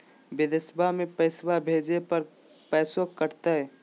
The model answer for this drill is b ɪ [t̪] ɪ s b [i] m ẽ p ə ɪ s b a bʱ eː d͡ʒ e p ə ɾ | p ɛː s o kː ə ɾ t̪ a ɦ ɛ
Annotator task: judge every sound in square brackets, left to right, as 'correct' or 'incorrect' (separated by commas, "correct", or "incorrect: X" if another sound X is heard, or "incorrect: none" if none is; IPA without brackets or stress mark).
incorrect: d̪, incorrect: a